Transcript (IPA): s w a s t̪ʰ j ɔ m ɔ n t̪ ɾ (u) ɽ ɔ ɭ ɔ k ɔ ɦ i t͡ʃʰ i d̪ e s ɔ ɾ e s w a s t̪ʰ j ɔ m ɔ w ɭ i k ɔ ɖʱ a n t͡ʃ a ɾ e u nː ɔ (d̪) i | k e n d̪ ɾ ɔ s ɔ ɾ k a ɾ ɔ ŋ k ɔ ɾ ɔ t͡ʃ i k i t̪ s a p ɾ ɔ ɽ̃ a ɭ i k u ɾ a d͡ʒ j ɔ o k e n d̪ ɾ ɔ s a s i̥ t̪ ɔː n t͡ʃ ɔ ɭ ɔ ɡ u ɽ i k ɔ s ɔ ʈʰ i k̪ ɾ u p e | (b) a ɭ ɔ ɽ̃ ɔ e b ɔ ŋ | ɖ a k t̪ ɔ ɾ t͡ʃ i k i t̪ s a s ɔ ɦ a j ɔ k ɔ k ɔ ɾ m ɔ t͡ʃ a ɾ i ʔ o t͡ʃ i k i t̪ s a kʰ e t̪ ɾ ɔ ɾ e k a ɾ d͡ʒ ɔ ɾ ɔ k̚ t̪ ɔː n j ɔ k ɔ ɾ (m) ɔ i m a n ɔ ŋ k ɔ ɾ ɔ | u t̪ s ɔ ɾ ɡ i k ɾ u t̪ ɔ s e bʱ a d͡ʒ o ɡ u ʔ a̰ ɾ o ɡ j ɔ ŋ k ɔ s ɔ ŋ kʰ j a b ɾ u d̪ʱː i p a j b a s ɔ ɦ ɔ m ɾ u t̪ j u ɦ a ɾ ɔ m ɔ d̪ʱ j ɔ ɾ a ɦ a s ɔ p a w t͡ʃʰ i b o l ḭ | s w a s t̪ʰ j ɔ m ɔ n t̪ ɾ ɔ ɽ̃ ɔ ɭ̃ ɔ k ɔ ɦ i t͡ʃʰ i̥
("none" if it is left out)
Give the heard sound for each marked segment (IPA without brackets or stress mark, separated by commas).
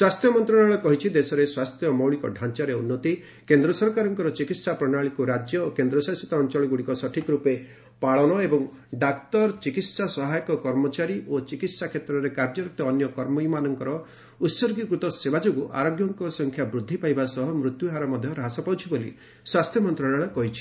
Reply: ɔ, t̪, p, m